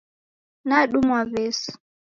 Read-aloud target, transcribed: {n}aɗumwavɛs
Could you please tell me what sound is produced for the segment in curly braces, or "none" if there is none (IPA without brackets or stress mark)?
n